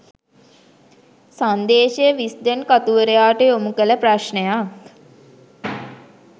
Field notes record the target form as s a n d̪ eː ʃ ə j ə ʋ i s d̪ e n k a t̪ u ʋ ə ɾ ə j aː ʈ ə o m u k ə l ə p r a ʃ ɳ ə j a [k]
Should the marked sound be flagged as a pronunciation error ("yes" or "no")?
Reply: no